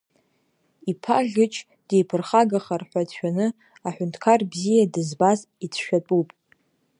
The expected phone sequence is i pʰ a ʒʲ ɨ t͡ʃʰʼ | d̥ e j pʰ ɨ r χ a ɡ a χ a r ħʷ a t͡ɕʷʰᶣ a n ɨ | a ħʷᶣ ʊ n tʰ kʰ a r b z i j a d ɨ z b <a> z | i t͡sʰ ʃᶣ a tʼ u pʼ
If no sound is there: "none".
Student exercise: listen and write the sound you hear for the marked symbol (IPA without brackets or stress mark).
a